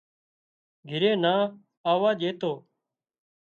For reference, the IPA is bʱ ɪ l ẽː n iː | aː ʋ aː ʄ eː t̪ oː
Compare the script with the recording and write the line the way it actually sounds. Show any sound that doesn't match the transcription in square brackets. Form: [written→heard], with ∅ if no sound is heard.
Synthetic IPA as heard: [bʱ→ɡʱ] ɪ [l→ɾ] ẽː n [iː→aː] | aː ʋ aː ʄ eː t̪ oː